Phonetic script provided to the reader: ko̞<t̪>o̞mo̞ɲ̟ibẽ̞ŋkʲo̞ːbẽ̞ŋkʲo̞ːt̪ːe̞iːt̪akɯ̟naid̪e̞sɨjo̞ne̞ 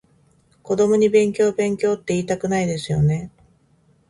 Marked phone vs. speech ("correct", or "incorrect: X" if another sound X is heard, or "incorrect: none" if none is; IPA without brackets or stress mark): incorrect: d̪